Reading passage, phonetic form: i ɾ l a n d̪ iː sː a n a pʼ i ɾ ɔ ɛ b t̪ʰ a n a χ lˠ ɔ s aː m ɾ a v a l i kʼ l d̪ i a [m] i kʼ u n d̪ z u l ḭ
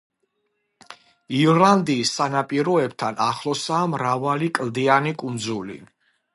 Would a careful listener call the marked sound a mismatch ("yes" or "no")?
yes